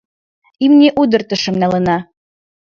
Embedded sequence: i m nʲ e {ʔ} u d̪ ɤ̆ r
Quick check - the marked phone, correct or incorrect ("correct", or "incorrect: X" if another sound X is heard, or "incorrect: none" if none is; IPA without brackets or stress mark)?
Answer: correct